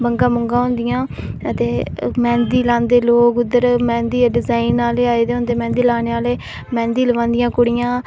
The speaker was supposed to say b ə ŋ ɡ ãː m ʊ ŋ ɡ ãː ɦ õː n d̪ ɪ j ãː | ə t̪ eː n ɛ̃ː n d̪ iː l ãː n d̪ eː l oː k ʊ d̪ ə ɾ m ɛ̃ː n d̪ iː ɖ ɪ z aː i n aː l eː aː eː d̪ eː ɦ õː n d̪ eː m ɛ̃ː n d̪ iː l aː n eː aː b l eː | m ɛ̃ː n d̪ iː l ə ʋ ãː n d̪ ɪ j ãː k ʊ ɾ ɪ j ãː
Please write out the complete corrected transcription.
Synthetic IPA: b ə ŋ ɡ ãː m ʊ ŋ ɡ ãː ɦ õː n d̪ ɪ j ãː | ə t̪ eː m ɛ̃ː n d̪ iː l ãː n d̪ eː l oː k ʊ d̪ ə ɾ m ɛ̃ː n d̪ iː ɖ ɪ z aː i n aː l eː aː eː d̪ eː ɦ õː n d̪ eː m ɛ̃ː n d̪ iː l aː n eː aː l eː | m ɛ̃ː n d̪ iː l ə ʋ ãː n d̪ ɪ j ãː k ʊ ɽ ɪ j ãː